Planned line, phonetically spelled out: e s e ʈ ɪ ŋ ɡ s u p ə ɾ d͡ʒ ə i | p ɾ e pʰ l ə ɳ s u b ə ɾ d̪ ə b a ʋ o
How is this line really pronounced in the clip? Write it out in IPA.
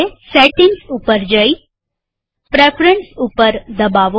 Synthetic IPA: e s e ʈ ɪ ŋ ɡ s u p ə ɾ d͡ʒ ə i | p ɾ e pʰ ɾ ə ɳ s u p ə ɾ d̪ ə b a ʋ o